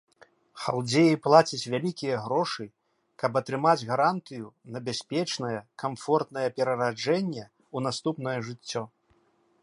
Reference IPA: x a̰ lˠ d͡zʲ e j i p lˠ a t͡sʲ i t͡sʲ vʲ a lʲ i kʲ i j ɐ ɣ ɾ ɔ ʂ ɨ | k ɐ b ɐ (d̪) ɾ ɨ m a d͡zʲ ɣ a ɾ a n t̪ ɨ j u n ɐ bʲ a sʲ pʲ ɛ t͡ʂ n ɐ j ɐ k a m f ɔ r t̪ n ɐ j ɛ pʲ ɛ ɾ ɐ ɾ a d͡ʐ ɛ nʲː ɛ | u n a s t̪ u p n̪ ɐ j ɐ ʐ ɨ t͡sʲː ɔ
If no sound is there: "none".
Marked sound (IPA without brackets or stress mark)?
t̪